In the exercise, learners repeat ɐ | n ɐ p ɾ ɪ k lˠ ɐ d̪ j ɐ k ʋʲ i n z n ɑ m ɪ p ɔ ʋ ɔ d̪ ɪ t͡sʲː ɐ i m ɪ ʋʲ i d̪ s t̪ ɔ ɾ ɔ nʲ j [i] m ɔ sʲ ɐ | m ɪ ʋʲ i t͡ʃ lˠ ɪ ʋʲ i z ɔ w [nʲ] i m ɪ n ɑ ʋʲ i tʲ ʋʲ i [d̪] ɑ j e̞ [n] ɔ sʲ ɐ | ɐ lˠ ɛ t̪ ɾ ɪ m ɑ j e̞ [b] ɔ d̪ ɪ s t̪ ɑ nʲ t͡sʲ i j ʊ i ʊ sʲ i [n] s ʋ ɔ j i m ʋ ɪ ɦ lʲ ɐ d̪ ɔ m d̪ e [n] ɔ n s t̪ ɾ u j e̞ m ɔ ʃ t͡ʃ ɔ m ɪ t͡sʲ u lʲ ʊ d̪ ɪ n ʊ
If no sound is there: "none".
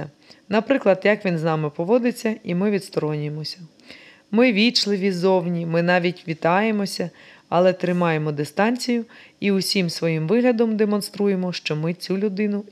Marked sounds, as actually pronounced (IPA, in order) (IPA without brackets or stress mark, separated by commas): e, nʲ, t̪, m, m, m, m